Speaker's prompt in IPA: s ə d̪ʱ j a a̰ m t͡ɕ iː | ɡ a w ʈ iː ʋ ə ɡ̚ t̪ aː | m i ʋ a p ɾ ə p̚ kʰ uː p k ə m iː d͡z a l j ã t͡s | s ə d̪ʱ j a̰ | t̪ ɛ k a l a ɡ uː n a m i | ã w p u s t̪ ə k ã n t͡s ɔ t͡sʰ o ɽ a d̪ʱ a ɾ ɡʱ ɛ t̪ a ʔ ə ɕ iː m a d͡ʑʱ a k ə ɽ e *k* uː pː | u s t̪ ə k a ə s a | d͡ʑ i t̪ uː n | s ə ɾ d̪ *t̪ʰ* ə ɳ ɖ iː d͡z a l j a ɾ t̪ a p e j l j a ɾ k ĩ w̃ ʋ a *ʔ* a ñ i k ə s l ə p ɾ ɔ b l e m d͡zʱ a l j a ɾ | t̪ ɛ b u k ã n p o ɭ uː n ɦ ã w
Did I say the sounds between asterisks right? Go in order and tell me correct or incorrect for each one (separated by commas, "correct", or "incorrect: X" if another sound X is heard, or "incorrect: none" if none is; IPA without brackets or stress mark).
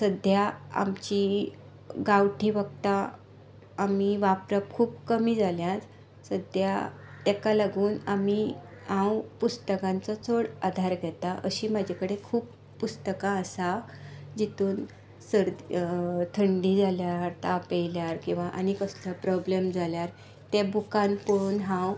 incorrect: kʰ, correct, correct